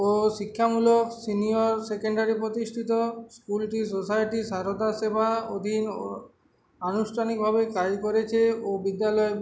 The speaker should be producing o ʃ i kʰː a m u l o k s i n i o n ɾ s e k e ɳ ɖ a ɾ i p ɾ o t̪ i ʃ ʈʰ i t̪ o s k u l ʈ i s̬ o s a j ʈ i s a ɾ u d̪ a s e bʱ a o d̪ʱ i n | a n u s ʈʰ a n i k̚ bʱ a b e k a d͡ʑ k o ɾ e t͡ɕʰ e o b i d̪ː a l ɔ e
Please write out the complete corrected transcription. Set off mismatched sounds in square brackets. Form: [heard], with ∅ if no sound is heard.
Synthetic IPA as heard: o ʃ i kʰː a m u l o k s i n i o [∅] ɾ s e k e ɳ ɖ a ɾ i p ɾ o t̪ i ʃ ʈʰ i t̪ o s k u l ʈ i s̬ o s a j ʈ i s a ɾ [o] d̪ a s e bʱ a o d̪ʱ i n | a n u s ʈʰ a n i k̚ bʱ a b e k a d͡ʑ k o ɾ e t͡ɕʰ e o b i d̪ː a l ɔ e